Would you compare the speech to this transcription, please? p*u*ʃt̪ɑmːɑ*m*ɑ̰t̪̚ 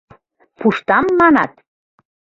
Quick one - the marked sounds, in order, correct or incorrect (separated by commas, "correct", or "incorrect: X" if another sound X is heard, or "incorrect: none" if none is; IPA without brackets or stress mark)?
correct, incorrect: n